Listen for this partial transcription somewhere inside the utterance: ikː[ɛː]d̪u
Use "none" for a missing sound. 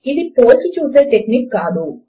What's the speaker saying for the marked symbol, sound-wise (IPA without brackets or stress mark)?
aː